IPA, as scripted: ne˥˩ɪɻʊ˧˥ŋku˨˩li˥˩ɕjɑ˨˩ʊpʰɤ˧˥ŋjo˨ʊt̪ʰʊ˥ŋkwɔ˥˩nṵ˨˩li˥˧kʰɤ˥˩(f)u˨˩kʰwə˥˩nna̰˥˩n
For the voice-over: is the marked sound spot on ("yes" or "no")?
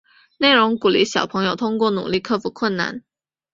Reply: yes